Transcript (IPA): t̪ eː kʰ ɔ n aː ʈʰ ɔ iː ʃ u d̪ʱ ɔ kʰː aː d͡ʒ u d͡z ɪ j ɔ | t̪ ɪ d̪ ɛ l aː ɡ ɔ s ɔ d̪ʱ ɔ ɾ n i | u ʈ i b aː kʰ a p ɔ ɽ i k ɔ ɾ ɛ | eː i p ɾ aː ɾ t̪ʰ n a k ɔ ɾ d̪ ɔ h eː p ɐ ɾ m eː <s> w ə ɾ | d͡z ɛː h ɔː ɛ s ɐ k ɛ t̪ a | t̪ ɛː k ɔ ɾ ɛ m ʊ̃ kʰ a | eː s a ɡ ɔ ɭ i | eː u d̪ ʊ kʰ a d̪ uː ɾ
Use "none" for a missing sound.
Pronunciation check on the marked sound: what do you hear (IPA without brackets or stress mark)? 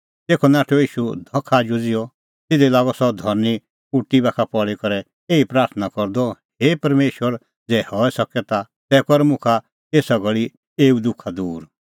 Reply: ʃ